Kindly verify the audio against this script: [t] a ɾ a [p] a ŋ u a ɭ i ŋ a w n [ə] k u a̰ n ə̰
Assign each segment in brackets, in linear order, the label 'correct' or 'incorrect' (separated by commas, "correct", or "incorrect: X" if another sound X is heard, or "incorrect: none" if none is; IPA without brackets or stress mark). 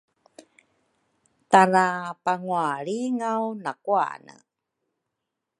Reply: correct, correct, incorrect: a